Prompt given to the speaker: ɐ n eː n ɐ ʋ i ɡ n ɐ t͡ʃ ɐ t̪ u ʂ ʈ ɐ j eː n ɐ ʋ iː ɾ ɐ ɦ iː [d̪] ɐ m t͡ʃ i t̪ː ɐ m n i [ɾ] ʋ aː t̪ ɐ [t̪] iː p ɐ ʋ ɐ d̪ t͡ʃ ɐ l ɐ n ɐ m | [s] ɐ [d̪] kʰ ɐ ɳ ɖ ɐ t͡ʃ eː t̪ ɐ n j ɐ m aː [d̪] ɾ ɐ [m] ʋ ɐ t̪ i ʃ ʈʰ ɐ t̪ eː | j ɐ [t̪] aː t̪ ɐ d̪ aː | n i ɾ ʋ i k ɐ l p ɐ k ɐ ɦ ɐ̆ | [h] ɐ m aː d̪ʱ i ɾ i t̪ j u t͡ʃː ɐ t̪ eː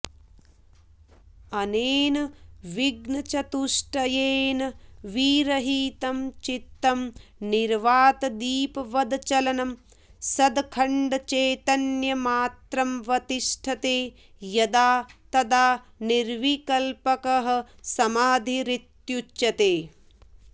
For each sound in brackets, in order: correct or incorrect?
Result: incorrect: t̪, correct, incorrect: d̪, correct, correct, incorrect: t̪, correct, incorrect: d̪, incorrect: s

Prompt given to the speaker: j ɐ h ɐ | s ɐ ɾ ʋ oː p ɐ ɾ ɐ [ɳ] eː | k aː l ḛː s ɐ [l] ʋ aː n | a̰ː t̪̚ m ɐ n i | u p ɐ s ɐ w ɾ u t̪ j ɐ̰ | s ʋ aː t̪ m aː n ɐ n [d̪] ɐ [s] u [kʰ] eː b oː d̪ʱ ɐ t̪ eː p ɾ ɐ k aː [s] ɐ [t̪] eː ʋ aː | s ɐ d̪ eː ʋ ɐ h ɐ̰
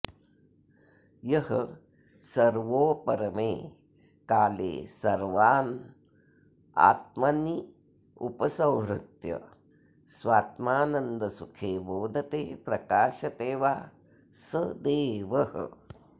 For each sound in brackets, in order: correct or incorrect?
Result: incorrect: m, incorrect: ɾ, correct, correct, correct, incorrect: ʃ, correct

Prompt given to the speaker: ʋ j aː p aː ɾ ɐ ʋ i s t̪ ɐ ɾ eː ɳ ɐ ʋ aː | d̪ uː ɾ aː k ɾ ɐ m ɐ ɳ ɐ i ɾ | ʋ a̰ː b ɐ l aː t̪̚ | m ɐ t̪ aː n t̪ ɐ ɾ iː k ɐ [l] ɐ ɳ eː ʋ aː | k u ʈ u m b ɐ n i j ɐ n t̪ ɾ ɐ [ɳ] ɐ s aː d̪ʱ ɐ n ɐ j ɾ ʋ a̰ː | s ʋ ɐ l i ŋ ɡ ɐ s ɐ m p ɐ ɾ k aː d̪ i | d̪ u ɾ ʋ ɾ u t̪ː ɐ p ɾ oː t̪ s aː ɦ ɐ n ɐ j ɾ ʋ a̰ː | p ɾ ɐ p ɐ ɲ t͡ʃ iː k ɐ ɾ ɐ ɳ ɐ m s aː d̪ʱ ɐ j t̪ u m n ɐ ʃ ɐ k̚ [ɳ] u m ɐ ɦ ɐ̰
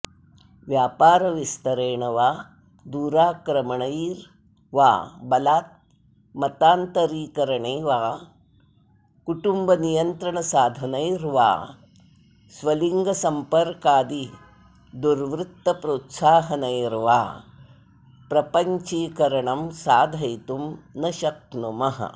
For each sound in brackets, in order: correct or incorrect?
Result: incorrect: ɾ, correct, incorrect: n

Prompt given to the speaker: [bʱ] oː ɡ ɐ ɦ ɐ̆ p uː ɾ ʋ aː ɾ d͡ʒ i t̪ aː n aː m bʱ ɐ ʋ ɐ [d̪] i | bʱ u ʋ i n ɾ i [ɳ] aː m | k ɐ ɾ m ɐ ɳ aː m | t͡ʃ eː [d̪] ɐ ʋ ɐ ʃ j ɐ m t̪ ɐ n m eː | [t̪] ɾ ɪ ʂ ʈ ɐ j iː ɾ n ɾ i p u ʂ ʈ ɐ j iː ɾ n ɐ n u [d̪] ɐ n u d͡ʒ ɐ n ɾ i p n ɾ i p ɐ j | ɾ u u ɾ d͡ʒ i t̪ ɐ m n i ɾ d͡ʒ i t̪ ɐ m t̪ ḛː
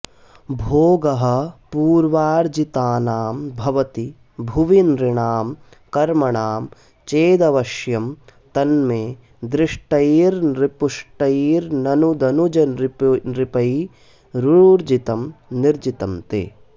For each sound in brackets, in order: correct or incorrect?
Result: correct, incorrect: t̪, correct, correct, incorrect: d̪, correct

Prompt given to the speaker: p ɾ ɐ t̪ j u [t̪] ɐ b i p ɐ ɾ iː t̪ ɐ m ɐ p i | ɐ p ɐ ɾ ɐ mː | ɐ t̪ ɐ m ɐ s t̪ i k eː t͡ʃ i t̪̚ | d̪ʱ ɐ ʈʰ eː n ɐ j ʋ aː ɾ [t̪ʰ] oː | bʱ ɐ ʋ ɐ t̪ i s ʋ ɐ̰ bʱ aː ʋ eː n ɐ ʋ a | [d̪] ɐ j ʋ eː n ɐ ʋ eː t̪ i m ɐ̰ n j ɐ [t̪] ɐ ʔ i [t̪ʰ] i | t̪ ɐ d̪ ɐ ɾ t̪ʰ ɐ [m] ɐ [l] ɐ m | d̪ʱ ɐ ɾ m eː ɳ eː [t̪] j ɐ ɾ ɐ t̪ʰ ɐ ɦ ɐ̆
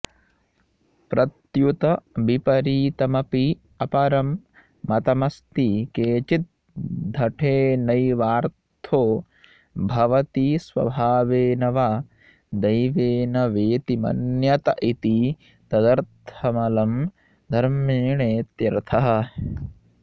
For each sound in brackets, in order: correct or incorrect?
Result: correct, correct, correct, correct, incorrect: t̪, correct, correct, correct

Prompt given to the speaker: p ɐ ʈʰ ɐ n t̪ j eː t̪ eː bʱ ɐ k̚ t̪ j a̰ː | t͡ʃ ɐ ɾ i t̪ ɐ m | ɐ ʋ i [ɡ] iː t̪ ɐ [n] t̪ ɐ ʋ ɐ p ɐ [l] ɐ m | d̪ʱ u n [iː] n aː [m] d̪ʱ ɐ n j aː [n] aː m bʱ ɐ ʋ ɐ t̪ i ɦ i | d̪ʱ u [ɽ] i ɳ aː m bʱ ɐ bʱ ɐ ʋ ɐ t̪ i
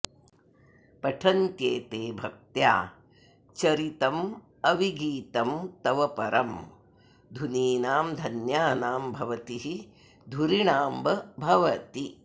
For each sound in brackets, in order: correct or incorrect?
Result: correct, incorrect: m, incorrect: ɾ, correct, correct, correct, incorrect: ɾ

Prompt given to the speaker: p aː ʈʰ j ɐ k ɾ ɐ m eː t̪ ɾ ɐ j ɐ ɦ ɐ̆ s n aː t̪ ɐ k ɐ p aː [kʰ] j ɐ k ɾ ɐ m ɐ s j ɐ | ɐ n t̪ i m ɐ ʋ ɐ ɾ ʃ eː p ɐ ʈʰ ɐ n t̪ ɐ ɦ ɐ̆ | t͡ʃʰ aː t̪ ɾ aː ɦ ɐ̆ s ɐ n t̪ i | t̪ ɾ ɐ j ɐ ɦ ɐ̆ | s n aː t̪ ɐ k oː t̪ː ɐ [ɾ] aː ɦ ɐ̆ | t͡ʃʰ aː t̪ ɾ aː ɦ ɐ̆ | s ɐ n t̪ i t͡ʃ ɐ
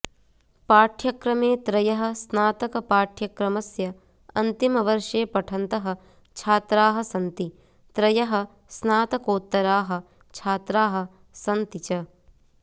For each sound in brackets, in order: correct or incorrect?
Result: incorrect: ʈʰ, correct

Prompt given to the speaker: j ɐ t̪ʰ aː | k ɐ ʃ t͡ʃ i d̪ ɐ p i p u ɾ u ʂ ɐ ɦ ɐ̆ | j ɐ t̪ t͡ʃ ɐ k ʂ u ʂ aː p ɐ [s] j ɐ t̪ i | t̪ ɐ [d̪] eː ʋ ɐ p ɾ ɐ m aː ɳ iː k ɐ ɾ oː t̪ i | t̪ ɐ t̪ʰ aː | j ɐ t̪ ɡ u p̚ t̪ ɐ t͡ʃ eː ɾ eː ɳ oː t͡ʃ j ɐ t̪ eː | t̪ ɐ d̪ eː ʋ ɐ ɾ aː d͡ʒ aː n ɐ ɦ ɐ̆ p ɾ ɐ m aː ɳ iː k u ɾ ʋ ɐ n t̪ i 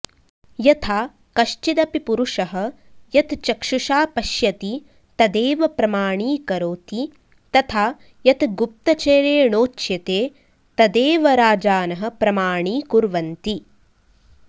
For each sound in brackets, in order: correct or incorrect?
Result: incorrect: ʃ, correct

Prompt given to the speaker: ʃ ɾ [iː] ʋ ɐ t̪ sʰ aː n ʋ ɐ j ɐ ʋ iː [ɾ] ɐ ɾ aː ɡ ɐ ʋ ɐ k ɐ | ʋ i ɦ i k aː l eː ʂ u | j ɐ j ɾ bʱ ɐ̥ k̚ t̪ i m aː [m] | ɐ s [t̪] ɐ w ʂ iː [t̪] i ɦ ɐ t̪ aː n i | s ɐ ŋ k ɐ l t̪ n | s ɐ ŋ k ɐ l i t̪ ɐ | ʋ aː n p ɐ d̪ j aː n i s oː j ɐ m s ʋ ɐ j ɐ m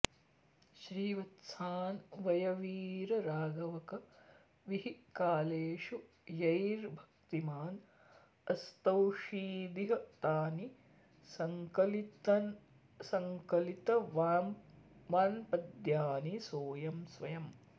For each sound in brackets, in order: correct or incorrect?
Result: correct, correct, incorrect: n, correct, incorrect: d̪

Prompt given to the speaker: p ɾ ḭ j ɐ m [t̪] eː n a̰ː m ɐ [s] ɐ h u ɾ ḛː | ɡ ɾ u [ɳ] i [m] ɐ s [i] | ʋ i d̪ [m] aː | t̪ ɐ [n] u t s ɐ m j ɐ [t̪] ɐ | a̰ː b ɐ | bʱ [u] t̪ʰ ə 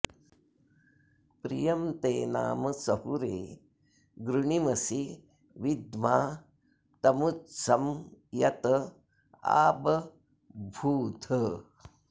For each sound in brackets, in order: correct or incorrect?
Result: correct, correct, correct, correct, correct, correct, incorrect: m, correct, incorrect: uː

